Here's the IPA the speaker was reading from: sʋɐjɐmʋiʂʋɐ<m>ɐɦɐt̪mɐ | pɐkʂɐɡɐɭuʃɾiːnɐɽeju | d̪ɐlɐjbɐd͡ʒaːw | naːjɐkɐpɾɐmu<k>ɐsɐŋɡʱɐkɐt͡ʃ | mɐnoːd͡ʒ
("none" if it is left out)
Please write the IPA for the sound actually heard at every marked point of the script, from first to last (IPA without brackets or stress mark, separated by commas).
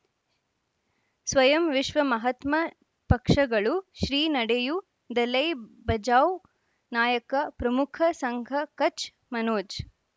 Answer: m, kʰ